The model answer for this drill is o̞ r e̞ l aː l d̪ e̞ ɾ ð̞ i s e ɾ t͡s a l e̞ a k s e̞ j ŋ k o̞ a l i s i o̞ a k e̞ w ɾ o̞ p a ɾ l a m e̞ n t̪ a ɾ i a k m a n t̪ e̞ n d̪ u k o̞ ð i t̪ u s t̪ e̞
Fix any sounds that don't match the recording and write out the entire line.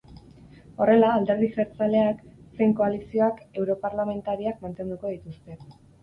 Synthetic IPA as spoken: o̞ r e̞ l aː l d̪ e̞ ɾ ð̞ i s e ɾ t͡s a l e̞ a k s e̞ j ŋ k o̞ a l i s i o̞ a k e̞ w ɾ o̞ p a ɾ l a m e̞ n t̪ a ɾ i a k m a n t̪ e̞ n d̪ u k o̞ ð i t̪ u s t̪ e̞